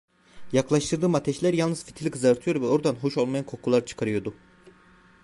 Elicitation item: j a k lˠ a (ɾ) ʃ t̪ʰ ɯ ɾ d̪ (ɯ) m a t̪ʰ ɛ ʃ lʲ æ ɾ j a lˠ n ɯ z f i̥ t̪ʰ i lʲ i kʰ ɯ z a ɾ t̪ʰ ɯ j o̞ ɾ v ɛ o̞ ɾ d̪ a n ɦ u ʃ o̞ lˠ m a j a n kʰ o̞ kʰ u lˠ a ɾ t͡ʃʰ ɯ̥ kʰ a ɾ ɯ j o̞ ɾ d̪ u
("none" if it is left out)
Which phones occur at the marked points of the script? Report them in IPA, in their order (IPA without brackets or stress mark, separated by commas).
none, ɯː